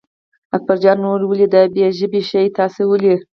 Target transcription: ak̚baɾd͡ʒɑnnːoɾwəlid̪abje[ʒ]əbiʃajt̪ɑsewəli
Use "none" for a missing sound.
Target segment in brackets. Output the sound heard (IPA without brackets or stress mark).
ʒ